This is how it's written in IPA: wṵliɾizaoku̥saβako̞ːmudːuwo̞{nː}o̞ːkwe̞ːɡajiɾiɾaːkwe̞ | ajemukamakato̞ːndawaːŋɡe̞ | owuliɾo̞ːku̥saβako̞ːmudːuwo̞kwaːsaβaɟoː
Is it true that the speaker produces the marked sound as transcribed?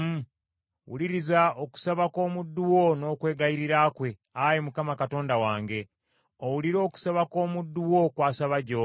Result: no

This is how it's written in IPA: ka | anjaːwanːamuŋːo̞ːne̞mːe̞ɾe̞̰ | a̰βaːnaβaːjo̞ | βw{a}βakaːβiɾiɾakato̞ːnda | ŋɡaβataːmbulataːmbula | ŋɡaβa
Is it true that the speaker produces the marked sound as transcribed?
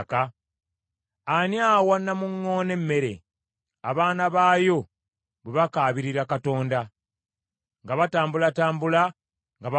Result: no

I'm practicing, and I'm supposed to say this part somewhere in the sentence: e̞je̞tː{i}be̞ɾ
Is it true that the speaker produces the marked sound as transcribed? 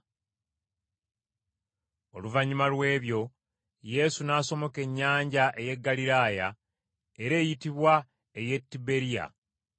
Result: yes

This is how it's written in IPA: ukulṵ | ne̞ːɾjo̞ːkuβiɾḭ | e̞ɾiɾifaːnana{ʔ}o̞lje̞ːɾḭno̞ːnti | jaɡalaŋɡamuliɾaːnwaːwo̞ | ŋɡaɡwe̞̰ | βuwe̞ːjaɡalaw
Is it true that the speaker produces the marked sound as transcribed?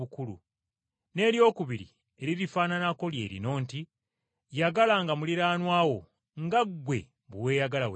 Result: no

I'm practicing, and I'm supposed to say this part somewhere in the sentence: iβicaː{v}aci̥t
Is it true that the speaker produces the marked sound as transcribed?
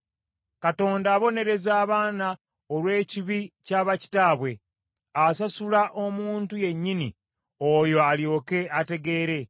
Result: no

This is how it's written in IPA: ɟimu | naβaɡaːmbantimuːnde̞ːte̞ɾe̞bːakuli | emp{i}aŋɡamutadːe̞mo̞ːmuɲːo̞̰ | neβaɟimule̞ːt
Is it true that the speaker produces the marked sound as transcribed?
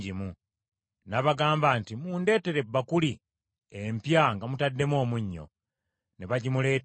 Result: no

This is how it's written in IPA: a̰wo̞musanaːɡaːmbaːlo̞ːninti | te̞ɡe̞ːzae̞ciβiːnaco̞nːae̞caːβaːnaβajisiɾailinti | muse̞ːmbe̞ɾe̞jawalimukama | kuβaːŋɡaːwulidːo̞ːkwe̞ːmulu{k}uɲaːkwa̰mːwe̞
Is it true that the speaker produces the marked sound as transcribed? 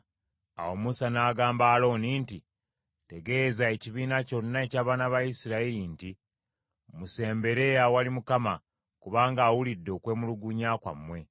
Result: no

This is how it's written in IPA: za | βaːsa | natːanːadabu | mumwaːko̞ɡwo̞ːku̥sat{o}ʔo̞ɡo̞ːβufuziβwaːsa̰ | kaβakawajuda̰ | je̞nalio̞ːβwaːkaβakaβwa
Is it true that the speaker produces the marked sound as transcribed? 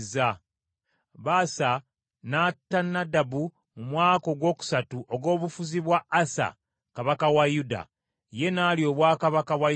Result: no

